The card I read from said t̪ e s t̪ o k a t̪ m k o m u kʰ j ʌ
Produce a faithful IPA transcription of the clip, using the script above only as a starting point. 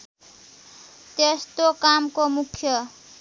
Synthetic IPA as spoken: t̪ e s t̪ o k a m k o m u kʰ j ʌ